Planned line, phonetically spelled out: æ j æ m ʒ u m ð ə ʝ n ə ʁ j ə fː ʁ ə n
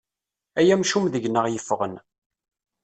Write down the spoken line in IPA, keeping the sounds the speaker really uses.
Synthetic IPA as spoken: æ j æ m ʃ u m ð ə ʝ n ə ʁ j ə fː ʁ ə n

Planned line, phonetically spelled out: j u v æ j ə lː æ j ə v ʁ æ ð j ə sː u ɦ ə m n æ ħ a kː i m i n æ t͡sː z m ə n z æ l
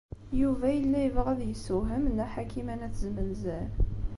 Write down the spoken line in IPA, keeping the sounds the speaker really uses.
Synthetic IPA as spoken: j u v æ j ə lː æ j ə v ʁ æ ð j ə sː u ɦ ə m n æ ħ a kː i m æ n æ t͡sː z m ə n z æ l

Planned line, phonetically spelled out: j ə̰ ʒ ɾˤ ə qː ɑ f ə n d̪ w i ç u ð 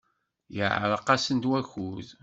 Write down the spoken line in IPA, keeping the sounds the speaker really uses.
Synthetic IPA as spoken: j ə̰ ʕ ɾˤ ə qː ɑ s ə n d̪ w æ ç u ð

